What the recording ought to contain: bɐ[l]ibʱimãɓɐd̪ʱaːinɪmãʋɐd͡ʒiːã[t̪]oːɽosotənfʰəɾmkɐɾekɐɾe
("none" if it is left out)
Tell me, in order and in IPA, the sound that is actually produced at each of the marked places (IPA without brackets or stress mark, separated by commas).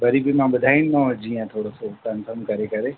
ɾ, t̪ʰ